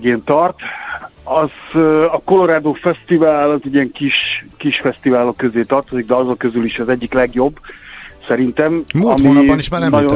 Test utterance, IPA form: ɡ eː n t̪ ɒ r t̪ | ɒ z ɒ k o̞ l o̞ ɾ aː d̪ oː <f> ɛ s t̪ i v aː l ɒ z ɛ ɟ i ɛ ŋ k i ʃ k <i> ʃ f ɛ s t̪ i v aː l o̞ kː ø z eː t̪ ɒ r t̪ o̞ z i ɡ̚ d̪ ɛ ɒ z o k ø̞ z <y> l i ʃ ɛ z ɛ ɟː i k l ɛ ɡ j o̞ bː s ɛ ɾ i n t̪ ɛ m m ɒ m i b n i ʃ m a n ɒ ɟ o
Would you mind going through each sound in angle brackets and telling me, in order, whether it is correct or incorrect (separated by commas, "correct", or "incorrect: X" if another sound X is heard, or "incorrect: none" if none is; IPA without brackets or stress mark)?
correct, correct, correct